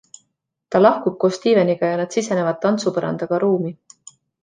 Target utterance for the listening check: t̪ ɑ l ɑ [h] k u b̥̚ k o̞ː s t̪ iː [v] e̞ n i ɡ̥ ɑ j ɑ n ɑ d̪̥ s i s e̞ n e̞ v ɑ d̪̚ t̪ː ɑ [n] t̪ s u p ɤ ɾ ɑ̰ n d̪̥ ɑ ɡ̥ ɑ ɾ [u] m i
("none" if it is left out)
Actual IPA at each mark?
h, v, n, uː

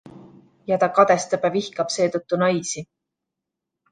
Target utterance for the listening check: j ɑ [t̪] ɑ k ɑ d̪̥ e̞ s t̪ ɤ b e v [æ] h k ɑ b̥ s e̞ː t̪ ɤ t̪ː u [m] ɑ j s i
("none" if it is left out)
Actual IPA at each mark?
t̪, i, n

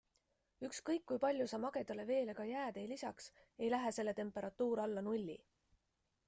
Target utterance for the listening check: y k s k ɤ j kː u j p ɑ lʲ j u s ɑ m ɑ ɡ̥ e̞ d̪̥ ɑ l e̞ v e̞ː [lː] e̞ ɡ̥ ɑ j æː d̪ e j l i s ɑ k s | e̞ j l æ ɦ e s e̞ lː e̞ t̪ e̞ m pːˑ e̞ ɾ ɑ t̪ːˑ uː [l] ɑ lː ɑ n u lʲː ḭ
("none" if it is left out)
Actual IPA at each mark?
l, ɾ

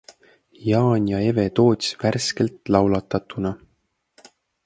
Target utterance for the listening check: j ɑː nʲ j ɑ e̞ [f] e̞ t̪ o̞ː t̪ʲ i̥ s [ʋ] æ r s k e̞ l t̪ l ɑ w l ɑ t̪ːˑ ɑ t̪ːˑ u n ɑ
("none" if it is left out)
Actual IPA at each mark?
v, v

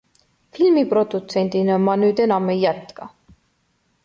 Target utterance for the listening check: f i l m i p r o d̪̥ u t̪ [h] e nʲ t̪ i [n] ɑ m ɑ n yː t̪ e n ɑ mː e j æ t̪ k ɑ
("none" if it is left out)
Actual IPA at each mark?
s, n

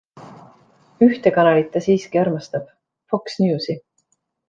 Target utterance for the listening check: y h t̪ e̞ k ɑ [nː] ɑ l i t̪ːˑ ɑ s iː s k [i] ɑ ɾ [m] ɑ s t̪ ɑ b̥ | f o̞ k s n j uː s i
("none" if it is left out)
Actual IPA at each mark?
n, i, m

